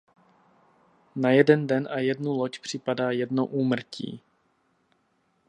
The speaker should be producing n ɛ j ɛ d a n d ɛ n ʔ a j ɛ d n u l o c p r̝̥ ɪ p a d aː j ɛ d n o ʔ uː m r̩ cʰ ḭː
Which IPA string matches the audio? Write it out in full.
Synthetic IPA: n a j ɛ d ɛ n d ɛ n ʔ a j ɛ d n u l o c p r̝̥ ɪ p a d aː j ɛ d n o ʔ uː m r̩ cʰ ḭː